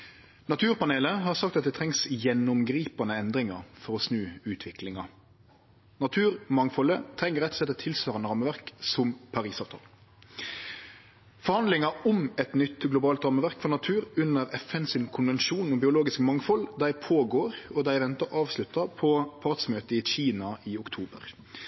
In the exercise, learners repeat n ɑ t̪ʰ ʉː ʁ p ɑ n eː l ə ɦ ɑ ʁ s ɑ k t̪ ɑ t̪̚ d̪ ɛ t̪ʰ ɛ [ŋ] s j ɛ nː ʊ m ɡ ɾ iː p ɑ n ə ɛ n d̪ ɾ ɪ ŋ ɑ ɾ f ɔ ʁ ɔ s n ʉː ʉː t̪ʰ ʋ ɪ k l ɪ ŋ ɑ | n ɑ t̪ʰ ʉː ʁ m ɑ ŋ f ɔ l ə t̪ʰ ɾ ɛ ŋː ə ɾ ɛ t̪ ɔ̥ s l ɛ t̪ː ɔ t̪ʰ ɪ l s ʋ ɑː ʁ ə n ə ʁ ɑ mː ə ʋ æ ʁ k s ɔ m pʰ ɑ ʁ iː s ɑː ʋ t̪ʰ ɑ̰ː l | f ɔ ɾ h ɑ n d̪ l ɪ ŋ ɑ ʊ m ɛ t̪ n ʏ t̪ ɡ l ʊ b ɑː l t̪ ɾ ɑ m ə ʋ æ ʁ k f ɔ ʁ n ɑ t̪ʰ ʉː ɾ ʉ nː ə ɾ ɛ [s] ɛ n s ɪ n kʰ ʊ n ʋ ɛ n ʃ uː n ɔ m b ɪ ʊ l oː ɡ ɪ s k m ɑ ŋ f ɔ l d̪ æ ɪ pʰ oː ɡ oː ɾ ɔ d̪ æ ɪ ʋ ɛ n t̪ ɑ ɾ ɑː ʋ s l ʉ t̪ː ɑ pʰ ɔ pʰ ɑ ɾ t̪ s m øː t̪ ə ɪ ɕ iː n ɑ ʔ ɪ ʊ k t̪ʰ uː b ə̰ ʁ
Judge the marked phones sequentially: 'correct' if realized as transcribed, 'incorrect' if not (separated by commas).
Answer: correct, incorrect